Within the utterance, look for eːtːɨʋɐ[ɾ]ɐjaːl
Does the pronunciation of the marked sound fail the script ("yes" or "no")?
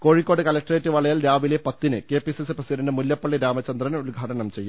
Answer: yes